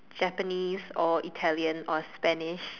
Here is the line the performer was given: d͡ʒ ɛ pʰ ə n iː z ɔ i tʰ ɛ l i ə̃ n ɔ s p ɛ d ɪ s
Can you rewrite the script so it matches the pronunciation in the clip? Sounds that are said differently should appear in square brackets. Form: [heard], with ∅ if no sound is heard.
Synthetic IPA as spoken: d͡ʒ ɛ [p] ə n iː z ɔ i tʰ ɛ l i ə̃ n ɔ s p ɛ [n] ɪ [ʃ]